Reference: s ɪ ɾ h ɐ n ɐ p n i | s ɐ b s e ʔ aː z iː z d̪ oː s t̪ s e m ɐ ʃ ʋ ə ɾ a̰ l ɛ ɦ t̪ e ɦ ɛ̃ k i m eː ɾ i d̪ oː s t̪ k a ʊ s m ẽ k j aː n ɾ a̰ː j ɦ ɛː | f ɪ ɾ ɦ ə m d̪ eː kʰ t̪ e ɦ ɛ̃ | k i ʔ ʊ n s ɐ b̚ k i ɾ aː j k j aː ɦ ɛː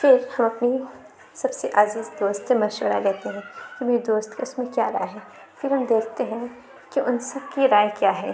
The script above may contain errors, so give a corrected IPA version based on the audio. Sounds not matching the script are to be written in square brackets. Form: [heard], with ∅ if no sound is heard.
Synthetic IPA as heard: [f] ɪ ɾ h ɐ [m] ɐ p n i | s ɐ b s e ʔ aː z iː z d̪ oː s t̪ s e m ɐ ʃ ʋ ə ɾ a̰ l ɛ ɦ t̪ e ɦ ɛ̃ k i m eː ɾ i d̪ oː s t̪ k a ʊ s m ẽ k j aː [∅] ɾ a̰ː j ɦ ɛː | f ɪ ɾ ɦ [ɐ] m d̪ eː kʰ t̪ e ɦ ɛ̃ | k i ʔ ʊ n s ɐ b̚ k i ɾ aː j k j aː ɦ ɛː